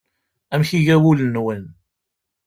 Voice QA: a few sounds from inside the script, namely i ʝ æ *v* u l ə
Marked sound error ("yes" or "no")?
yes